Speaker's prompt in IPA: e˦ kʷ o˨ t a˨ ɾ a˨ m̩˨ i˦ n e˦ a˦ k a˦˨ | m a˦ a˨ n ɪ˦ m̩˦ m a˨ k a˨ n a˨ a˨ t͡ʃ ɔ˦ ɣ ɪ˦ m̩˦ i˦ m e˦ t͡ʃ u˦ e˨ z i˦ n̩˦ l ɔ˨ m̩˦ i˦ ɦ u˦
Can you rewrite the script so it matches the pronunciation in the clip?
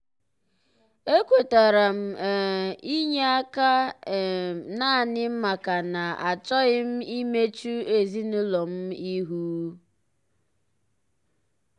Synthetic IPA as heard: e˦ kʷ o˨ t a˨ ɾ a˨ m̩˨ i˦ ɲ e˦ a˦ k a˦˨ | n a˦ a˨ n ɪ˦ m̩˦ m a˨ k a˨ n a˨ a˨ t͡ʃ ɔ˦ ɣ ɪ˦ m̩˦ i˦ m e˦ t͡ʃ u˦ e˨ z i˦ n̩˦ l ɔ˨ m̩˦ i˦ ɦ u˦

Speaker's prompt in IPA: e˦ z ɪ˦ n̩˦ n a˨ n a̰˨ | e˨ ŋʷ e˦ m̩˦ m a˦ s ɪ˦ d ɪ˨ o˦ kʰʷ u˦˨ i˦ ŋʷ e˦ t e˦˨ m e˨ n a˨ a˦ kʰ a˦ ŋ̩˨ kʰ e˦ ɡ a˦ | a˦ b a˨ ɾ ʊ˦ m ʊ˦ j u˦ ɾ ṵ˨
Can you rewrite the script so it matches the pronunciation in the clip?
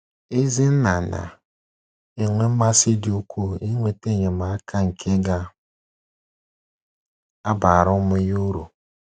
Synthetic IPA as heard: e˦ z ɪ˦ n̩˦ n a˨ n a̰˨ | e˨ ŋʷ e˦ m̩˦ m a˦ s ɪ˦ d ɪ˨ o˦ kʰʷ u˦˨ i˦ ŋʷ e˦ t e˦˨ ɲ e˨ m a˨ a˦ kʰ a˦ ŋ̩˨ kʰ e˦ ɡ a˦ | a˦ b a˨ ɾ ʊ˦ m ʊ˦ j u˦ ɾ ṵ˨

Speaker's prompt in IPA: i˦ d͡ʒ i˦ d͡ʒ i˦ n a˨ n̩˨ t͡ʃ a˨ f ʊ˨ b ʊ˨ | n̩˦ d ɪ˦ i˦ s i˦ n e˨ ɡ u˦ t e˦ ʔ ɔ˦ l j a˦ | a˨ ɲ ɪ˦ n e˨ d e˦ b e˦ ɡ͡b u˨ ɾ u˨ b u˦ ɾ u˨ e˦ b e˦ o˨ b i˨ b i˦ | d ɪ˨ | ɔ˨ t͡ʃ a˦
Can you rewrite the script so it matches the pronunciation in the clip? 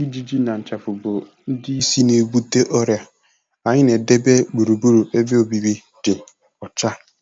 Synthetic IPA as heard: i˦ d͡ʒ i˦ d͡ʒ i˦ n a˨ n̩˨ t͡ʃ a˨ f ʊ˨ b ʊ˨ | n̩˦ d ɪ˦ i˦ s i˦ n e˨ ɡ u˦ t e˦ ʔ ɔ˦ ɾ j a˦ | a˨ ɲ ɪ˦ n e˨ d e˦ b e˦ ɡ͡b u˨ ɾ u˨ b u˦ ɾ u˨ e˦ b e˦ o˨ b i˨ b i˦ | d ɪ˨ | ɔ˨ t͡ʃ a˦

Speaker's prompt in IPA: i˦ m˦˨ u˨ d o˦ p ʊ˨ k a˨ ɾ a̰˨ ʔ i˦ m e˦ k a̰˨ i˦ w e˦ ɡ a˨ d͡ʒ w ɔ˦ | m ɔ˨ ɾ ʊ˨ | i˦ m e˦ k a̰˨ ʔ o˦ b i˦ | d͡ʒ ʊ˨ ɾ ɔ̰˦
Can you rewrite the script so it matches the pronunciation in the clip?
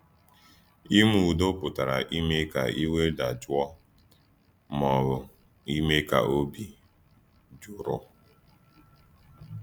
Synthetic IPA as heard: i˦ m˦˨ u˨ d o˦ p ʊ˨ t a˨ ɾ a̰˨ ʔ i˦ m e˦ k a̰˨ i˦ w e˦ d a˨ d͡ʒ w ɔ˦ | m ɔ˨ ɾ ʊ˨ | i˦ m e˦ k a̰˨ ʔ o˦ b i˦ | d͡ʒ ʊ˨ ɾ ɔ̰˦

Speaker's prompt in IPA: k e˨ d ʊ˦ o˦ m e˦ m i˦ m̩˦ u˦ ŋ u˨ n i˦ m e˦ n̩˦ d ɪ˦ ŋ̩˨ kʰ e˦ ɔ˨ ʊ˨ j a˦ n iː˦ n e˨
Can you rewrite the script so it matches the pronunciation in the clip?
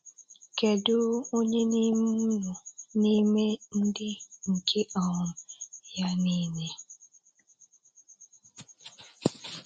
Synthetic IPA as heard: k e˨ d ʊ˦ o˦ ɲ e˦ n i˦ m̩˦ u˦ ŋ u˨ n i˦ m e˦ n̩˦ d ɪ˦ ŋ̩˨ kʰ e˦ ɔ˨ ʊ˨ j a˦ n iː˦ n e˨

